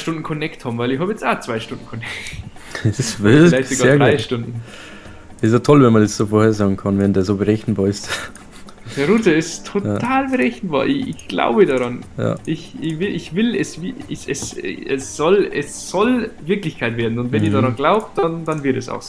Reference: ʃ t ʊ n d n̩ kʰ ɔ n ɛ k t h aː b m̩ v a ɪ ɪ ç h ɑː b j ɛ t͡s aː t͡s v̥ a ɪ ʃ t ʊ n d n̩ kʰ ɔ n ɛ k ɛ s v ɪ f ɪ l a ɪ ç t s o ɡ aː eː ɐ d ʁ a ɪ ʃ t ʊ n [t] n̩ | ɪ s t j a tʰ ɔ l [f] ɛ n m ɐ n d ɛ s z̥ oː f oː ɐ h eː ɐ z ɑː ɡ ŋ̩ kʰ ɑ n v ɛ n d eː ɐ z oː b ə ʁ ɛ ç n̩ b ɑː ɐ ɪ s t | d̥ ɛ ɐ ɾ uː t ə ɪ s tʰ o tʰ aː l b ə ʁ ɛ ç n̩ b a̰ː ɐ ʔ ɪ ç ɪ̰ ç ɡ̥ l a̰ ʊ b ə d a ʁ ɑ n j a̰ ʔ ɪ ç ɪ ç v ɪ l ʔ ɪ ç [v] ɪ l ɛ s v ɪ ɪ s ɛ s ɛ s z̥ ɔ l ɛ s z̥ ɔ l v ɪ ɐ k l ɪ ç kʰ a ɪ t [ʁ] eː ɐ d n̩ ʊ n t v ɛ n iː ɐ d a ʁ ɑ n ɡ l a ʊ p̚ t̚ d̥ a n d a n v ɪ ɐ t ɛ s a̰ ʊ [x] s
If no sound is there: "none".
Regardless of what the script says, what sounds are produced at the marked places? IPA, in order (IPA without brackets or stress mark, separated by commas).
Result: d, v, v, v, x